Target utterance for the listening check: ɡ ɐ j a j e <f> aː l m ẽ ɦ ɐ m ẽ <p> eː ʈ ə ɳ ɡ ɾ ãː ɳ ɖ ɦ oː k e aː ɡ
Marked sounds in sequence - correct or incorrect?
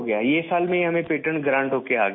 incorrect: s, correct

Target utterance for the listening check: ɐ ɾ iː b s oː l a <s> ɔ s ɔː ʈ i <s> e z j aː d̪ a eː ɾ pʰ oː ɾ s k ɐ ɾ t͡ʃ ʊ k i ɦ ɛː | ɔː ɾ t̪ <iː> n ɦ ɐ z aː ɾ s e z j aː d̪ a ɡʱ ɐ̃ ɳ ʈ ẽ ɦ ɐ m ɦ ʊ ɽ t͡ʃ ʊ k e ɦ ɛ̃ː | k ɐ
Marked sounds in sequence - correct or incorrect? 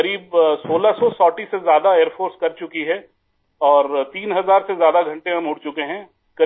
correct, correct, correct

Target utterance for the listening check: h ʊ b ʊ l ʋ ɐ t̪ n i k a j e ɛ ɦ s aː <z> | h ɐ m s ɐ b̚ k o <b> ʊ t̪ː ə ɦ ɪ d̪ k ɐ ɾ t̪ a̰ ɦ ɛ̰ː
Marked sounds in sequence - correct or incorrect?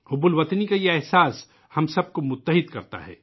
incorrect: s, incorrect: m

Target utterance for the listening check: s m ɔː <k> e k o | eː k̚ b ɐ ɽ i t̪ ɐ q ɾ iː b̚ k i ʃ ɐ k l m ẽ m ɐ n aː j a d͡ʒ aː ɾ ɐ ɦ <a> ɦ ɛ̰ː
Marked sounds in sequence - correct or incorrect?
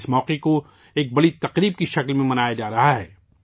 incorrect: q, correct

